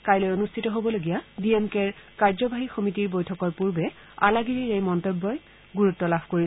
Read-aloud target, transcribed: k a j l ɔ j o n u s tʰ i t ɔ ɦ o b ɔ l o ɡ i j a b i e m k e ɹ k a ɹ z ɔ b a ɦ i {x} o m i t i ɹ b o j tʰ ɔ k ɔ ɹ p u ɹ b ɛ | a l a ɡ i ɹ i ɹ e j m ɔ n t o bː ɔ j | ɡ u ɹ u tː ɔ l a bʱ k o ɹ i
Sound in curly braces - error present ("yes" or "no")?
no